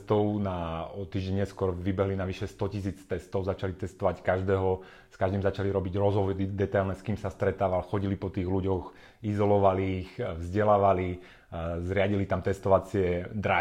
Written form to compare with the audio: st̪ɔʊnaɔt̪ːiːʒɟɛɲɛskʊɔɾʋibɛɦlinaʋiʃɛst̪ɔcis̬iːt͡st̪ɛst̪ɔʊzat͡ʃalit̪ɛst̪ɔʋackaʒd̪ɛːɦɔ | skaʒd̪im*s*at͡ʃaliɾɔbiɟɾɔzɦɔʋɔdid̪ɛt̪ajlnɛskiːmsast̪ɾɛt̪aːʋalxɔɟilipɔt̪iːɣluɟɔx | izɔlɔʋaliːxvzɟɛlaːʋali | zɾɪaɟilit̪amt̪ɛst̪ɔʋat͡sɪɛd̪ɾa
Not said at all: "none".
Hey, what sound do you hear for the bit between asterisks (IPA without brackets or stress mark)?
z